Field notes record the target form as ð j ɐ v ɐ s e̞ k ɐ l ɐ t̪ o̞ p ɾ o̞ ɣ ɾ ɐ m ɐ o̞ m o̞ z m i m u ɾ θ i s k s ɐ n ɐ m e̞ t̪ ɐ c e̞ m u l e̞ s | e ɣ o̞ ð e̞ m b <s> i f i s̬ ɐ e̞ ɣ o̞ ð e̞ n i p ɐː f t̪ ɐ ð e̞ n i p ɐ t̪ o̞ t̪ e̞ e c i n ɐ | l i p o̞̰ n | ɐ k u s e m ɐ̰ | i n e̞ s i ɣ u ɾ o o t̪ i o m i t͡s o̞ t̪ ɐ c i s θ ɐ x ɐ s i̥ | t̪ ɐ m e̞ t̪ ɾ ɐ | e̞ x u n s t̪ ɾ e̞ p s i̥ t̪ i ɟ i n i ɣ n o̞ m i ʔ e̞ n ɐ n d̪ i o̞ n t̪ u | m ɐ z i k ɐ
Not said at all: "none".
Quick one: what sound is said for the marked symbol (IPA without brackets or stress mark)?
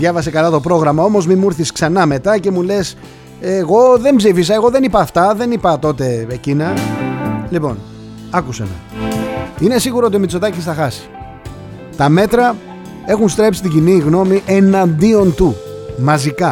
z